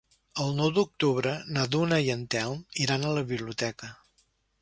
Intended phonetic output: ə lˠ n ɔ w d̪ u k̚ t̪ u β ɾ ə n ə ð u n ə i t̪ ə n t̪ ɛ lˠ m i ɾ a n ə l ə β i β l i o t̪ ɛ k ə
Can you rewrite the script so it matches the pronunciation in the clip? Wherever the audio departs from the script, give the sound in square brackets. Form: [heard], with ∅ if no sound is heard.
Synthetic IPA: ə lˠ n ɔ w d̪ u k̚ t̪ u β ɾ ə n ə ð u n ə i [∅] ə n t̪ ɛ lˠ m i ɾ a n ə l ə β i β l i [u] t̪ ɛ k ə